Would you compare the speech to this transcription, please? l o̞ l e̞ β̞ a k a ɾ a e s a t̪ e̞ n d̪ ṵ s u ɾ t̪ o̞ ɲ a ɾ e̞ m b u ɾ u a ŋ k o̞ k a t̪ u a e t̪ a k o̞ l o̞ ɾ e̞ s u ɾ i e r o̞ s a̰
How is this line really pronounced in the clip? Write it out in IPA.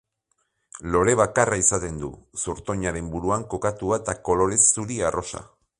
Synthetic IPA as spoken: l o̞ ɾ e̞ β̞ a k a r a i s a t̪ e̞ n d̪ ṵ s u ɾ t̪ o̞ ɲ a ɾ e̞ m b u ɾ u a ŋ k o̞ k a t̪ u a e t̪ a k o̞ l o̞ ɾ e̞ s u ɾ i a r o̞ s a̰

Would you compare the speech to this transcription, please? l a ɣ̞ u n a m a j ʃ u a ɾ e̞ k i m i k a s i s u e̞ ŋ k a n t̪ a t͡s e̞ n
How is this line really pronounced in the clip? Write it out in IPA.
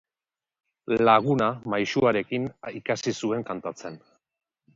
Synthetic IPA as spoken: l a ɣ̞ u n a m a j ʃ u a ɾ e̞ k i n i k a s i s u e̞ ŋ k a n t̪ a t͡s e̞ n

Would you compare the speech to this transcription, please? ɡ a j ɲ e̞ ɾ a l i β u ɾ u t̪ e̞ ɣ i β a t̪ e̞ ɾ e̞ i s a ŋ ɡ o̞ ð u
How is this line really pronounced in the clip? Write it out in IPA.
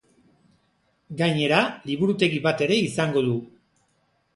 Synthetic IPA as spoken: ɡ a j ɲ e̞ ɾ a l i β u ɾ u t̪ e̞ ɣ i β a t̪ e̞ ɾ e̞ i s a ŋ ɡ o̞ ð u

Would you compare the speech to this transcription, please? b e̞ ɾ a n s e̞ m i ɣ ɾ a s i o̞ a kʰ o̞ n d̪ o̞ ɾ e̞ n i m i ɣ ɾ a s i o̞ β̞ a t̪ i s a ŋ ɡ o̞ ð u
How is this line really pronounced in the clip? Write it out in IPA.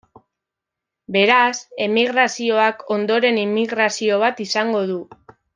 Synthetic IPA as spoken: b e̞ ɾ a s e̞ m i ɣ ɾ a s i o̞ a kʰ o̞ n d̪ o̞ ɾ e̞ n i m i ɣ ɾ a s i o̞ β̞ a t̪ i s a ŋ ɡ o̞ ð u

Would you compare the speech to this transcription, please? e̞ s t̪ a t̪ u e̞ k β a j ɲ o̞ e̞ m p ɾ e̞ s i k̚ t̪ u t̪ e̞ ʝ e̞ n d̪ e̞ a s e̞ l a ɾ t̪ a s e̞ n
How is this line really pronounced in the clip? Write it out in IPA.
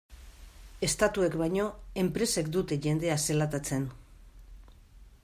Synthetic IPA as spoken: e̞ s t̪ a t̪ u e̞ k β a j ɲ o̞ e̞ m p ɾ e̞ s e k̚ d̪ u t̪ e̞ ʝ e̞ n d̪ e̞ a s e̞ l a t̪ a t͡s e̞ n

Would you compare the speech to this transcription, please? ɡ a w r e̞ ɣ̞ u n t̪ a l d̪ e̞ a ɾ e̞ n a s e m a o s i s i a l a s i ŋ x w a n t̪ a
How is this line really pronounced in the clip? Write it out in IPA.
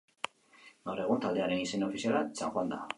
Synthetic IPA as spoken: ɡ a w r e̞ ɣ̞ u n t̪ a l d̪ e̞ a ɾ e̞ n i s e n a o f i s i a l a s a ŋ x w a n d̪ a

